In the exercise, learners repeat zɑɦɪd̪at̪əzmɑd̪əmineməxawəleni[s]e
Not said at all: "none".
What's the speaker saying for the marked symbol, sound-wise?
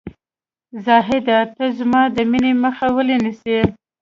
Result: s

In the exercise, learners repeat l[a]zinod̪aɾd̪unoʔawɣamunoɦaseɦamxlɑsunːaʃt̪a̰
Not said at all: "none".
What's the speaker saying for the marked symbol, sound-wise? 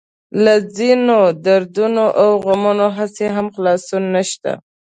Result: a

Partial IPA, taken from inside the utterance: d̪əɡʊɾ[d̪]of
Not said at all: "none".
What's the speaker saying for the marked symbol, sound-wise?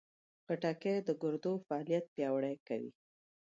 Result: d̪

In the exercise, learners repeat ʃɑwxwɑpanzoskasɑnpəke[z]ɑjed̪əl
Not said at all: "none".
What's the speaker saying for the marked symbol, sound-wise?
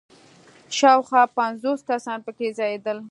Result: z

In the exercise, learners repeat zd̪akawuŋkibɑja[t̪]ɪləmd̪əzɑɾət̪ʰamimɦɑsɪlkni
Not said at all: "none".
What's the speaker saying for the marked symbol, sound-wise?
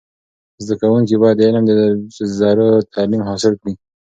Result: d̪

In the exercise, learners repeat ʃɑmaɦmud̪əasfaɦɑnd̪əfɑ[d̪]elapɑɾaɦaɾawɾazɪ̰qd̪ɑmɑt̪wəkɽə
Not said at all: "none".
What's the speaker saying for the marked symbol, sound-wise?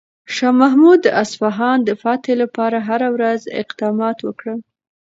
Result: t̪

